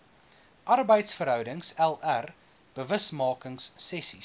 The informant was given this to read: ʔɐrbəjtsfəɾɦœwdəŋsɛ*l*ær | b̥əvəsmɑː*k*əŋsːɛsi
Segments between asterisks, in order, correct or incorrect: correct, correct

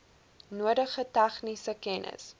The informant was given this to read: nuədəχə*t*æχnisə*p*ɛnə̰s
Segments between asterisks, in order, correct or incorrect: correct, incorrect: k

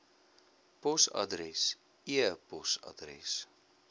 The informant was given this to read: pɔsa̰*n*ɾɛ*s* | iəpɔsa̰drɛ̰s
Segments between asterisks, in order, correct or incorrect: incorrect: d, correct

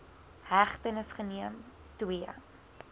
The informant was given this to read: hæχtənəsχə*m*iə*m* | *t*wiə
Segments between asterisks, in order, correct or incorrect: incorrect: n, correct, correct

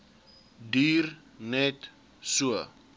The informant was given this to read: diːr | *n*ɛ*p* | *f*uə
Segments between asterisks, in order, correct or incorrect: correct, incorrect: t, incorrect: s

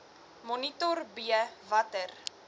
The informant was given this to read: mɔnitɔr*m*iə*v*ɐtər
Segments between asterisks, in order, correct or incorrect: incorrect: b, correct

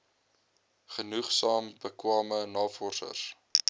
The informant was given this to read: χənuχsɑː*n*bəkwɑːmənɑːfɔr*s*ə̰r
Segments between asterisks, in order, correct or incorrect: incorrect: m, correct

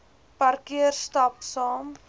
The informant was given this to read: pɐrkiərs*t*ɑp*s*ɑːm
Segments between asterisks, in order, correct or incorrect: correct, correct

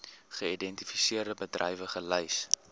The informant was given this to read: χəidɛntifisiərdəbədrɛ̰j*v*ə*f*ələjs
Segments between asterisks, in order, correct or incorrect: correct, incorrect: χ

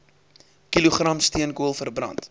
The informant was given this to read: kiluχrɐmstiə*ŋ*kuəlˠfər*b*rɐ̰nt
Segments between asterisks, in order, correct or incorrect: incorrect: n, correct

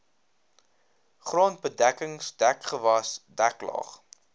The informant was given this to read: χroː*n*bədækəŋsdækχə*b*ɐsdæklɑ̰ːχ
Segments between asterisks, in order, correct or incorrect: correct, incorrect: v

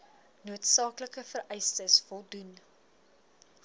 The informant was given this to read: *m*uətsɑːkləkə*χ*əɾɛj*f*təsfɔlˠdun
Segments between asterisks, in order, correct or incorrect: incorrect: n, incorrect: f, incorrect: s

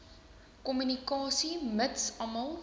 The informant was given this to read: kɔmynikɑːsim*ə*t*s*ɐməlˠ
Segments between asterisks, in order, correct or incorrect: correct, correct

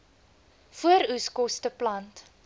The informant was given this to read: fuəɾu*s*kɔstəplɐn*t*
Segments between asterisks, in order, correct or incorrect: correct, correct

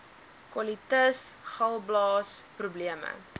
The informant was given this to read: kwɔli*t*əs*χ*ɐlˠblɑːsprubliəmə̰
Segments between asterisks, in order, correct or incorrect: correct, correct

